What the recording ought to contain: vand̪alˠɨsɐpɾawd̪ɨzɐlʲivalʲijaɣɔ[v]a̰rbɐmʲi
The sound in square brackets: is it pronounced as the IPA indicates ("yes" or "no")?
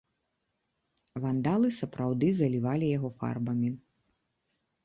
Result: no